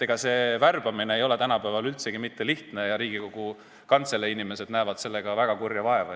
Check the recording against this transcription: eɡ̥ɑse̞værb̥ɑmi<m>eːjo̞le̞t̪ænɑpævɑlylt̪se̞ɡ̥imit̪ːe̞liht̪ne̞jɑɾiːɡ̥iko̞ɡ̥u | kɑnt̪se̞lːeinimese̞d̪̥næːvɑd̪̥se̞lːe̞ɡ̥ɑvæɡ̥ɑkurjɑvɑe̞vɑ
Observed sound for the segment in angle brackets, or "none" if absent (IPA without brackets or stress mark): n